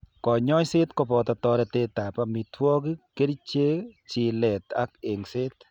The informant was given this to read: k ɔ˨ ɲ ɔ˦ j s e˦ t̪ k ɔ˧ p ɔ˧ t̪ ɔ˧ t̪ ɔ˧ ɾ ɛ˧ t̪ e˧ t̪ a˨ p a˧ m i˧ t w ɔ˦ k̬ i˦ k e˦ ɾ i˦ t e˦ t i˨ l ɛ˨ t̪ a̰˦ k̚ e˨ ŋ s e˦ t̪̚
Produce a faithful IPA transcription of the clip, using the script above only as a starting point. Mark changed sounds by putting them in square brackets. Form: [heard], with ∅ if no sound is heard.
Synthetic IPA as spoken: k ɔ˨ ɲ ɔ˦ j s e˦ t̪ k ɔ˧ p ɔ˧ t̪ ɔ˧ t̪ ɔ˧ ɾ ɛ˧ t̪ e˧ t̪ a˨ p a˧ m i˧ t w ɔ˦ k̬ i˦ k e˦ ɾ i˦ [t͡ʃ] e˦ [t͡ʃ] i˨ l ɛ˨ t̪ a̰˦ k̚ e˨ ŋ s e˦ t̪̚